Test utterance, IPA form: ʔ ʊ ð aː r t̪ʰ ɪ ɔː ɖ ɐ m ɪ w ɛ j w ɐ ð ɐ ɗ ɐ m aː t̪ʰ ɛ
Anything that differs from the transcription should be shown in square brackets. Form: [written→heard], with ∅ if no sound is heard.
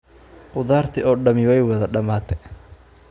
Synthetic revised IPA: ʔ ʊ ð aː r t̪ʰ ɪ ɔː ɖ ɐ m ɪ w ɛ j w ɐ ð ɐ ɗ ɐ m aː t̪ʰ ɛ